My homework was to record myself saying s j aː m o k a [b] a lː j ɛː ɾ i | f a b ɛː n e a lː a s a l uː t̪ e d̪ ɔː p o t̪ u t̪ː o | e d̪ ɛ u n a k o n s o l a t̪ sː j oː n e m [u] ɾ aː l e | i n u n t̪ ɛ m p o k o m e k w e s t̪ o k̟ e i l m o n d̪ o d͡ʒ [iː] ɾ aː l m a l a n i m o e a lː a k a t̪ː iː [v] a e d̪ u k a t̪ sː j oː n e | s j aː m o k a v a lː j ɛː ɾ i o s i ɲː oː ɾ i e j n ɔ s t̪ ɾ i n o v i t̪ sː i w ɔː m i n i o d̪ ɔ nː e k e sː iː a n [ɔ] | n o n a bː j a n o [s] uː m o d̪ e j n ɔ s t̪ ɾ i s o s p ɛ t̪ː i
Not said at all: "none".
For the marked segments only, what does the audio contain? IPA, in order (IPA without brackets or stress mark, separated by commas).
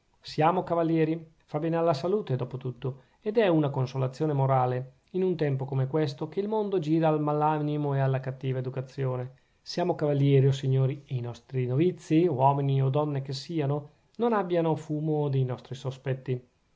v, o, iː, v, o, f